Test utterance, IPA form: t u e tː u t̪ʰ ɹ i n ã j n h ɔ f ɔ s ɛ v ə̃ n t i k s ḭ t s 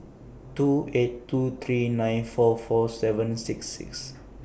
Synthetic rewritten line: t u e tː u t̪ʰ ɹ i n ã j n f ɔ f ɔ s ɛ v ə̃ n s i k s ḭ k s